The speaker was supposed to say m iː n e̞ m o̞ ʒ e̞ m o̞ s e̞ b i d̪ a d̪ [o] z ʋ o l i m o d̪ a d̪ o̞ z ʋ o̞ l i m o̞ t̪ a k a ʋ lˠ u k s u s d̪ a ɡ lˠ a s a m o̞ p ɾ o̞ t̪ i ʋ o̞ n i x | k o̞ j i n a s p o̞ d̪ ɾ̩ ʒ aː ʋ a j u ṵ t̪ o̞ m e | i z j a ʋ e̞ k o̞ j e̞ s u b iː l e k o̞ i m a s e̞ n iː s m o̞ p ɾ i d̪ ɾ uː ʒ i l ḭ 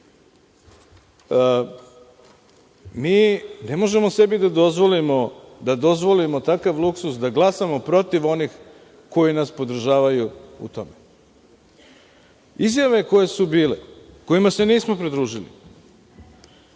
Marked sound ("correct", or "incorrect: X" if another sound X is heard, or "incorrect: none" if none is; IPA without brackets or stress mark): correct